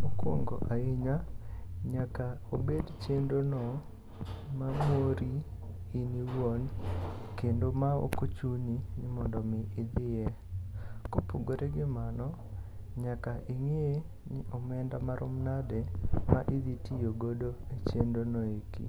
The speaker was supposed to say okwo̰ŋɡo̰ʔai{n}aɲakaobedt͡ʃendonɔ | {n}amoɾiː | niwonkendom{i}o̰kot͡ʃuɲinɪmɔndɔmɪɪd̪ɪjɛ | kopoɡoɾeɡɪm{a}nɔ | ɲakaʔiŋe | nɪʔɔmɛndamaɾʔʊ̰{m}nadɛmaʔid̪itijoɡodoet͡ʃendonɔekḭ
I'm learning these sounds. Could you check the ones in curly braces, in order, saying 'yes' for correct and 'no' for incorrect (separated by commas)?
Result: no, no, no, yes, yes